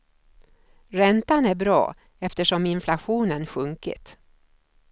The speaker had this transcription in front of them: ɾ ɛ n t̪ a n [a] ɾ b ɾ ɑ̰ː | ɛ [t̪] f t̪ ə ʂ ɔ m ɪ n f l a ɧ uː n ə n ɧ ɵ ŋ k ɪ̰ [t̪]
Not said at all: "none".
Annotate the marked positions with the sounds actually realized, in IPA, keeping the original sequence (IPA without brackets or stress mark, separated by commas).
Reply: æ, none, t̪